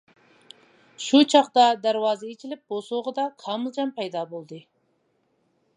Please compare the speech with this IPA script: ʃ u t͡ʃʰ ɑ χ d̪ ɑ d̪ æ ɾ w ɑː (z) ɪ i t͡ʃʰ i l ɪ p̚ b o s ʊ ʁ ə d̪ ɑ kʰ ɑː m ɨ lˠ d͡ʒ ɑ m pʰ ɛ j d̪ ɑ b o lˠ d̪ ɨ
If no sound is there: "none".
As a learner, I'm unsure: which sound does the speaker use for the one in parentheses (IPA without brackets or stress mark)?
z